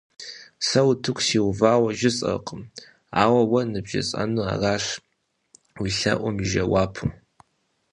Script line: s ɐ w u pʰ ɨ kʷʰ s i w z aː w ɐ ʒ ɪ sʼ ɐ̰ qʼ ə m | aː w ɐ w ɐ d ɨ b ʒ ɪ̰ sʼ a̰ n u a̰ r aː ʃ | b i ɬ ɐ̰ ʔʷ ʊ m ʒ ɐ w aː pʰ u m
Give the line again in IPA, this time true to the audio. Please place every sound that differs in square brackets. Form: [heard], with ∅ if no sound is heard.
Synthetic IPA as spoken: s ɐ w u [tʰ] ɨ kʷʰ s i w [v] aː w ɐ ʒ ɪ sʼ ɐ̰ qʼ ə m | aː w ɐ w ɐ [n] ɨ b ʒ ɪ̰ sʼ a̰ n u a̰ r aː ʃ | [w] i ɬ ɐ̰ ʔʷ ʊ m ʒ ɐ w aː pʰ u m

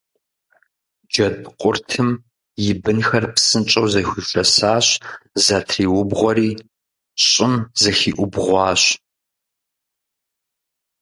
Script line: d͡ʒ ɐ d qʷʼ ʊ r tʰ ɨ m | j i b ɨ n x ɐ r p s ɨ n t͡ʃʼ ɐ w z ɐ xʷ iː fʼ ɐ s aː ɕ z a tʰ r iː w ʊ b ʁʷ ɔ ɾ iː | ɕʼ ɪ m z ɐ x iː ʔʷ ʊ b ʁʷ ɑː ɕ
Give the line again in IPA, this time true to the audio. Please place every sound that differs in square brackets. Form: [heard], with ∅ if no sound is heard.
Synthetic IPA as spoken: d͡ʒ ɐ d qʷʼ ʊ r tʰ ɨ m | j [ɪ] b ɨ n x ɐ r p s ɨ n t͡ʃʼ ɐ w z ɐ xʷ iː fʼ ɐ s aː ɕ z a tʰ r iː w ʊ b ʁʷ ɔ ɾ iː | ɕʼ ɪ m z ɐ x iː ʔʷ ʊ b ʁʷ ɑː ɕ

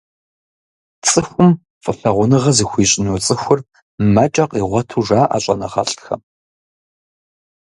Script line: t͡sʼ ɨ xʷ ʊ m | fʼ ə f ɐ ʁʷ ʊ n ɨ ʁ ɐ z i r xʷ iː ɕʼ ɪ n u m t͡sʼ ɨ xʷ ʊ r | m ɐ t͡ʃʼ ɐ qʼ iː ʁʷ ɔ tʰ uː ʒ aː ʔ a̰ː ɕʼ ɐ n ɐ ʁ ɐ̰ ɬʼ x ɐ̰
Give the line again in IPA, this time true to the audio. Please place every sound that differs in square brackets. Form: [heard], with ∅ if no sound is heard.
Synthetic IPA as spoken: t͡sʼ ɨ xʷ ʊ m | fʼ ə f ɐ ʁʷ ʊ n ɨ ʁ ɐ z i [∅] xʷ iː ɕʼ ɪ n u [∅] t͡sʼ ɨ xʷ ʊ r | m ɐ t͡ʃʼ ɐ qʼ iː ʁʷ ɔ tʰ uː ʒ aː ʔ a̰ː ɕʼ ɐ n ɐ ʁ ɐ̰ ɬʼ x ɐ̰

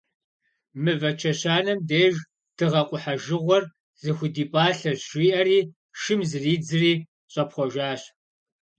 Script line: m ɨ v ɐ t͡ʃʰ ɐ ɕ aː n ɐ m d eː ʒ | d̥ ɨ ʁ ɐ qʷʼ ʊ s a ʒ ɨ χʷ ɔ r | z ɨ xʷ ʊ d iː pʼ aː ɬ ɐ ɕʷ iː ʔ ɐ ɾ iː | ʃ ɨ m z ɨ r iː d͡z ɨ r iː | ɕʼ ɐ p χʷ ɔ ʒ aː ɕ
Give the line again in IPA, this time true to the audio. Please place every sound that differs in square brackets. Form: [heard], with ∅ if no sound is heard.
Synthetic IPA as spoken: m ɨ v ɐ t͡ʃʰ ɐ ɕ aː n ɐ m d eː ʒ | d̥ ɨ ʁ ɐ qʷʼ ʊ [ħ] a ʒ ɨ [ʁʷ] ɔ r | z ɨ xʷ ʊ d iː pʼ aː ɬ ɐ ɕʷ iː ʔ ɐ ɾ iː | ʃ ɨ m z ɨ r iː d͡z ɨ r iː | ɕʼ ɐ p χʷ ɔ ʒ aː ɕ

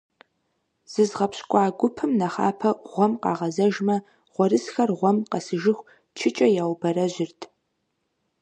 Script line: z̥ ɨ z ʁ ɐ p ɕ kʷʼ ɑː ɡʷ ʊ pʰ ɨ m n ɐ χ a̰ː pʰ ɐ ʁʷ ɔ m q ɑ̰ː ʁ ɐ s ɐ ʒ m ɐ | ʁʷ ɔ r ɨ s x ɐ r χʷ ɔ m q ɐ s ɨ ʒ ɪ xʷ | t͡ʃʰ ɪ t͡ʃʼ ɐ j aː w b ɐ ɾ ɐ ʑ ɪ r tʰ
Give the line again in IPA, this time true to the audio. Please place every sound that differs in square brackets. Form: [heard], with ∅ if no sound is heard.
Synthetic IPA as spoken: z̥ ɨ z ʁ ɐ p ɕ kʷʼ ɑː ɡʷ ʊ pʰ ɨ m n ɐ χ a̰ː pʰ ɐ ʁʷ ɔ m q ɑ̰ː ʁ ɐ [z] ɐ ʒ m ɐ | ʁʷ ɔ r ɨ s x ɐ r [ʁʷ] ɔ m q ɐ s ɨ ʒ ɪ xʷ | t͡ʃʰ ɪ t͡ʃʼ ɐ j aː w b ɐ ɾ ɐ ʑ ɪ r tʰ

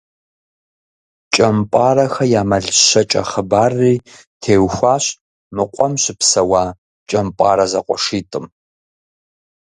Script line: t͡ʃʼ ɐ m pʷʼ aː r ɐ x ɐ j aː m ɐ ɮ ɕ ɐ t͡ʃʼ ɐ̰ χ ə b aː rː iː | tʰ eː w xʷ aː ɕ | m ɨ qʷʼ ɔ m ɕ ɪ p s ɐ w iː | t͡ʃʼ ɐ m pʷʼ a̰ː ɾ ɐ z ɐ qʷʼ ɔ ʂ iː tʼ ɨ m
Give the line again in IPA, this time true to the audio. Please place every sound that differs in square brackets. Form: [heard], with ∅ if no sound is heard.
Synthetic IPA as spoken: t͡ʃʼ ɐ m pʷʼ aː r ɐ x ɐ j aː m ɐ ɮ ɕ ɐ t͡ʃʼ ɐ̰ χ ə b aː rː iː | tʰ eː w xʷ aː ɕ | m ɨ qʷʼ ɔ m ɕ ɪ p s ɐ w [aː] | t͡ʃʼ ɐ m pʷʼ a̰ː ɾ ɐ z ɐ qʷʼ ɔ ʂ iː tʼ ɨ m

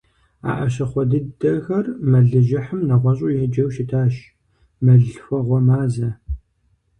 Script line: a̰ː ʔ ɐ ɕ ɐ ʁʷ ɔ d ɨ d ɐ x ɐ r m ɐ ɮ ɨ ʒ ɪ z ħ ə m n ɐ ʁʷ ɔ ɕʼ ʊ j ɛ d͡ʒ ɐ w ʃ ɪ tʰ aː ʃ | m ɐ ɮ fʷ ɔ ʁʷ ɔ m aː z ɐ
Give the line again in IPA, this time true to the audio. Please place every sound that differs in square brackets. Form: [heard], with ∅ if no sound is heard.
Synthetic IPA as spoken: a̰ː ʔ ɐ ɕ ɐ [χʷ] ɔ d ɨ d ɐ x ɐ r m ɐ ɮ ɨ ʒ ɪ [∅] ħ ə m n ɐ ʁʷ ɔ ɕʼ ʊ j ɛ d͡ʒ ɐ w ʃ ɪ tʰ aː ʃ | m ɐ ɮ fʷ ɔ ʁʷ ɔ m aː z ɐ

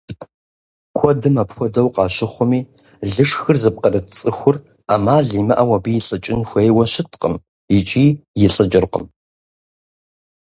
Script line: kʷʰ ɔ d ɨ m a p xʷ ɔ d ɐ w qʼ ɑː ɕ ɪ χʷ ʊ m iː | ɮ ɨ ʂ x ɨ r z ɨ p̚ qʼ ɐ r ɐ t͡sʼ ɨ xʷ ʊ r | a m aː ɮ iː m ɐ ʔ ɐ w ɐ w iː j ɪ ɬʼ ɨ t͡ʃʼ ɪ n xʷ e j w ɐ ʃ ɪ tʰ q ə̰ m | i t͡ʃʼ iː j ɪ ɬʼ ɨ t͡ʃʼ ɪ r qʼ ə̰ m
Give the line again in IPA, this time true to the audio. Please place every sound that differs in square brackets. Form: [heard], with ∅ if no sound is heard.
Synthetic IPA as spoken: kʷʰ ɔ d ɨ m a p xʷ ɔ d ɐ w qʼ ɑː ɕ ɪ χʷ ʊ m iː | ɮ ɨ ʂ x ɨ r z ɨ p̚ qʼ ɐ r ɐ t͡sʼ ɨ xʷ ʊ r | a m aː ɮ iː m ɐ ʔ ɐ w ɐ [b] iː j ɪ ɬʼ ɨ t͡ʃʼ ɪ n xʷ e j w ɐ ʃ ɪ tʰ q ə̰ m | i t͡ʃʼ iː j ɪ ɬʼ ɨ t͡ʃʼ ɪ r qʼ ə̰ m

